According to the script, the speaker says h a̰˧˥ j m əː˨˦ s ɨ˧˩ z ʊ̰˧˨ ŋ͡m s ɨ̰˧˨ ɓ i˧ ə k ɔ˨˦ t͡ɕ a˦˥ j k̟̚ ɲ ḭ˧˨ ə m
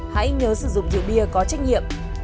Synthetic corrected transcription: h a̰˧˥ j ɲ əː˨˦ s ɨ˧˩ z ʊ̰˧˨ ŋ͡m z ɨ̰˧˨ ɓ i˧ ə k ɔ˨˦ t͡ɕ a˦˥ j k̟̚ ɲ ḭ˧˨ ə m

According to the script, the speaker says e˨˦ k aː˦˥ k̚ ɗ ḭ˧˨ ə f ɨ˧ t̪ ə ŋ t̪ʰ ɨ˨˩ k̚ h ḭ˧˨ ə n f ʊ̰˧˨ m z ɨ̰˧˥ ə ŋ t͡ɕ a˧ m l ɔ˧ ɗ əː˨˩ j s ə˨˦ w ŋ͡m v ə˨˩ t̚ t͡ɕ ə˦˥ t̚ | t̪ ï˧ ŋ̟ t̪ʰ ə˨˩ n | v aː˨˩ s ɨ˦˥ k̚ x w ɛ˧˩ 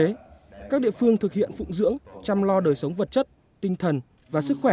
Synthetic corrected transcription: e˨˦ k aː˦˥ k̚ ɗ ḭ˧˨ ə f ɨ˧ ə ŋ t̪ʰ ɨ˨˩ k̚ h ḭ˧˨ ə n f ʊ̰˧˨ ŋ͡m z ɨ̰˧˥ ə ŋ t͡ɕ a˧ m l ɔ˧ ɗ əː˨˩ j s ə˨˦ w ŋ͡m v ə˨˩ t̚ t͡ɕ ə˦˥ t̚ | t̪ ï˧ ŋ̟ t̪ʰ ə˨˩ n | v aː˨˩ s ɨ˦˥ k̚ x w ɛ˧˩

